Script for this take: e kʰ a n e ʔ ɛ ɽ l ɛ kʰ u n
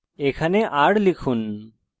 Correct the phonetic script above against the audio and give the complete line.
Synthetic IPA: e kʰ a n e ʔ a ɽ l i kʰ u n